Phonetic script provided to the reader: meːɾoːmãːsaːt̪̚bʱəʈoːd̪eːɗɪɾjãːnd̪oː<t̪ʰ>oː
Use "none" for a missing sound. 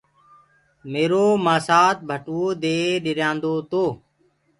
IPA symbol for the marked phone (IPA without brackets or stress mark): t̪